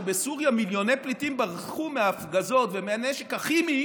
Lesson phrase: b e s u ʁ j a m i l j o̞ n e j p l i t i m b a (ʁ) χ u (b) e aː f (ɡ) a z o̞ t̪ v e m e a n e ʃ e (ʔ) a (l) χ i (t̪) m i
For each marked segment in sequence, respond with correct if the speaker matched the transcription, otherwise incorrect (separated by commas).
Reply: correct, incorrect, correct, incorrect, incorrect, incorrect